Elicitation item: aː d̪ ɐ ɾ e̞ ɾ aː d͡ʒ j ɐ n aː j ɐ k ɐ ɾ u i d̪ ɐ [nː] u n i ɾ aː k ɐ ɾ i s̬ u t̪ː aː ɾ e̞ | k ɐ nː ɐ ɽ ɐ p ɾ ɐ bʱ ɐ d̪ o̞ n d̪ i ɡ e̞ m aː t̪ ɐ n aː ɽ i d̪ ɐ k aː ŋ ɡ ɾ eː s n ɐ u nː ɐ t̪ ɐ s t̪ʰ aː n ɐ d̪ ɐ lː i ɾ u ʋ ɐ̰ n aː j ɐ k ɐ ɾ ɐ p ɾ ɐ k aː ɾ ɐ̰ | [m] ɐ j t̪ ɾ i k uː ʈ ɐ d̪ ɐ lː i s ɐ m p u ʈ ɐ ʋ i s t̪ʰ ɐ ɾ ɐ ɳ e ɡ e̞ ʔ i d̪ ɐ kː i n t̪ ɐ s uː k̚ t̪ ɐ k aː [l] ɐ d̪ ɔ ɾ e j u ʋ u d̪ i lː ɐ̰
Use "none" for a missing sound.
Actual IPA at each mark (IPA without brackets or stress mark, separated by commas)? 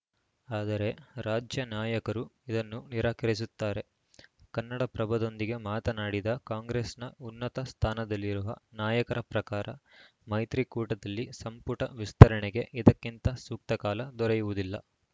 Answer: nː, m, l